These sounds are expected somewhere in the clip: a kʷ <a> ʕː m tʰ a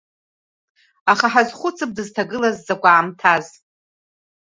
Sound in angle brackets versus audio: correct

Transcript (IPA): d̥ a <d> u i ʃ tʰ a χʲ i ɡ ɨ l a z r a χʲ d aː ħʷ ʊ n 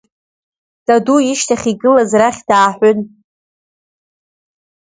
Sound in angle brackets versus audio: correct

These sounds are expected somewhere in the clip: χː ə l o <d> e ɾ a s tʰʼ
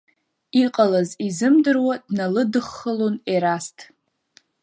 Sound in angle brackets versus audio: incorrect: n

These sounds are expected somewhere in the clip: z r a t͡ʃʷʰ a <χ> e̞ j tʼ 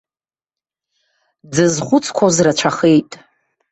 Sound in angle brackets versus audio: correct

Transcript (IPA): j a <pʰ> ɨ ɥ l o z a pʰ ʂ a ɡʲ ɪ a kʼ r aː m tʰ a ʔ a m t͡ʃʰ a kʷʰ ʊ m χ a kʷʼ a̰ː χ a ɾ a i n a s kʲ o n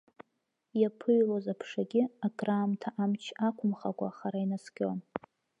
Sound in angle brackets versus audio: correct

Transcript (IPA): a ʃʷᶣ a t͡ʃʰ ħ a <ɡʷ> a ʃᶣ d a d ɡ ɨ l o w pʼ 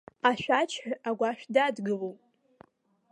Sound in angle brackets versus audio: correct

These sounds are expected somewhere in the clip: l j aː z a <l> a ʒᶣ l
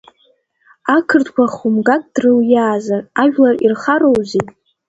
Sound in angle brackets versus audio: incorrect: r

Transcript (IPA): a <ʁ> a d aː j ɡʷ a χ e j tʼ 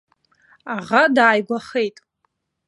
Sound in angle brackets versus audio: correct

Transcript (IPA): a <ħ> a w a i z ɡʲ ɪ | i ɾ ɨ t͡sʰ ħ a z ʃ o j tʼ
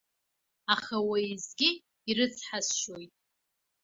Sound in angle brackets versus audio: incorrect: χ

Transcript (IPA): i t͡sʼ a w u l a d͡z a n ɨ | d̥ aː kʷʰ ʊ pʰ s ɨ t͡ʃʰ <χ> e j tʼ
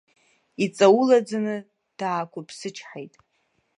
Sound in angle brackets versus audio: incorrect: ħ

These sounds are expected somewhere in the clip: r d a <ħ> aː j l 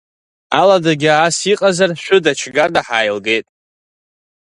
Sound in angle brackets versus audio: correct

